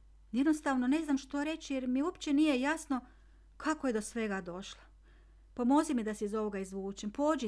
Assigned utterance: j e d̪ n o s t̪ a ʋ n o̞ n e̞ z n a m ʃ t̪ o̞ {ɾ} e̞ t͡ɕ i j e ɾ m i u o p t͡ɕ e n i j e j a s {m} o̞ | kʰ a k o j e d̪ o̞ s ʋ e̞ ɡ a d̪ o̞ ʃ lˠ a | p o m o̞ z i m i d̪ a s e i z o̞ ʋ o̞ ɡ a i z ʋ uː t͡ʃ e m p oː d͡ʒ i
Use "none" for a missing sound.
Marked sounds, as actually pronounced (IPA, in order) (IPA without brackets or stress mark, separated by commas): ɾ, n